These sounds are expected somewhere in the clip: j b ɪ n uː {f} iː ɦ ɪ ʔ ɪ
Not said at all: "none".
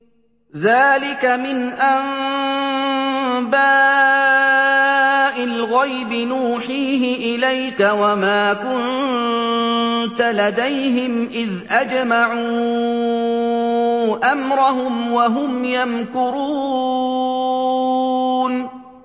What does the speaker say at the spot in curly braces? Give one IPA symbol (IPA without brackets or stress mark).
ħ